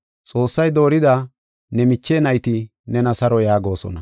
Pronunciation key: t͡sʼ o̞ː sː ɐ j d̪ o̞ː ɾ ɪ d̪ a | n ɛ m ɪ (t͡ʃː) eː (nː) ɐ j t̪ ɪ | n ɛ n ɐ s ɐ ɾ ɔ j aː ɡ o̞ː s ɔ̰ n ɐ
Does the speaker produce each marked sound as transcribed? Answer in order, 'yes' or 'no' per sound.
yes, no

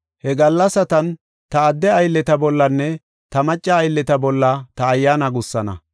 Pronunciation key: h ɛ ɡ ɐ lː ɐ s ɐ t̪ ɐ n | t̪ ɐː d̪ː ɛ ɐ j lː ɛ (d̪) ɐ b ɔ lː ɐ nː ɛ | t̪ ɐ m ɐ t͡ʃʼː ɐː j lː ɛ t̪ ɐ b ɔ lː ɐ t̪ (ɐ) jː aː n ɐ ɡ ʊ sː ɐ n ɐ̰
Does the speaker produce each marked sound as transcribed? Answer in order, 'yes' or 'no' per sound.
no, no

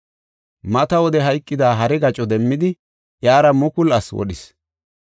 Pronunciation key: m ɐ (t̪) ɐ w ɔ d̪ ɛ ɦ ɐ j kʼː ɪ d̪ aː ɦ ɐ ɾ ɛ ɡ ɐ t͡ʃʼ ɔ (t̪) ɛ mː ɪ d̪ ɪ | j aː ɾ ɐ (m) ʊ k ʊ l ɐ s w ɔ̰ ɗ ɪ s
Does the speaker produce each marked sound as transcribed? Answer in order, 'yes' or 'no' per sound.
yes, no, yes

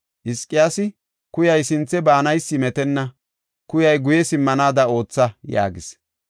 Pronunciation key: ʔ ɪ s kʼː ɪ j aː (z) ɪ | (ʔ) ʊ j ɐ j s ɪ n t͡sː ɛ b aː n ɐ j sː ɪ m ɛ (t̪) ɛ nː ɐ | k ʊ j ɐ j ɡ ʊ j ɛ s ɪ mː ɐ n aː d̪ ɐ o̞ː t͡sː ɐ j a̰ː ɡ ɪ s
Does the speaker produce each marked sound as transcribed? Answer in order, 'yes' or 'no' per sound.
no, no, yes

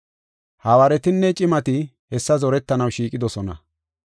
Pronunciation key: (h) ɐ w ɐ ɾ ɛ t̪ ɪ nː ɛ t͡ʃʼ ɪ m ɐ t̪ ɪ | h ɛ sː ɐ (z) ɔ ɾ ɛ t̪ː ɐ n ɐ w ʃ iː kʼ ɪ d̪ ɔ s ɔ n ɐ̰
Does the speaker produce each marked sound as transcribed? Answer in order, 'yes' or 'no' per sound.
yes, yes

